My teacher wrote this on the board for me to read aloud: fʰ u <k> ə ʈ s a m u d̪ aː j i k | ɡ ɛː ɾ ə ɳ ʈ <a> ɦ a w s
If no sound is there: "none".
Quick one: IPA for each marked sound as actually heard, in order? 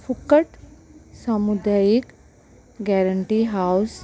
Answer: k, i

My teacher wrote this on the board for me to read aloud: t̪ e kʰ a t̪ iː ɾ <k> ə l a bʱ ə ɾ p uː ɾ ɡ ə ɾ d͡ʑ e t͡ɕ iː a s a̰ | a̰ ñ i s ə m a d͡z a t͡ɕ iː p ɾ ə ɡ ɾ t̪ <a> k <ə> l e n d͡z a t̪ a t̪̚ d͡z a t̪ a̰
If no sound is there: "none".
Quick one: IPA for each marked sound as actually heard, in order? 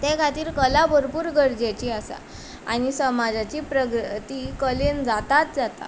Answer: k, i, ə

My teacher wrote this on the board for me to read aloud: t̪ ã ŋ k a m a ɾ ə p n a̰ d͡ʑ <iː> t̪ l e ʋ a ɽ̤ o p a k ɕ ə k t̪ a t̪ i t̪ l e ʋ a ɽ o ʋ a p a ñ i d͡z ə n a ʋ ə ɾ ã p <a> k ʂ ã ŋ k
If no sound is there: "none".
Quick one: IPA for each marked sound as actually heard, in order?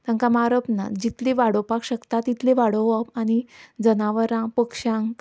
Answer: i, ə

